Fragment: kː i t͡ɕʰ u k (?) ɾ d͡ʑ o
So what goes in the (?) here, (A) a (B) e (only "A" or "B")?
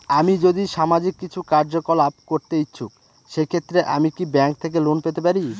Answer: A